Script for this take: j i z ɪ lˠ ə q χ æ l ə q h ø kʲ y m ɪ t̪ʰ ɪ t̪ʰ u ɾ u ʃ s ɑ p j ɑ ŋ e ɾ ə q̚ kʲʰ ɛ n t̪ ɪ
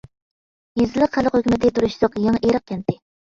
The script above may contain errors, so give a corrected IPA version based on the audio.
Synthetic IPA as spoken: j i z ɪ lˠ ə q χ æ l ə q h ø kʲ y m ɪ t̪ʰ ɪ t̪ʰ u ɾ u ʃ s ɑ q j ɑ ŋ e ɾ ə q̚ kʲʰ ɛ n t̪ ɪ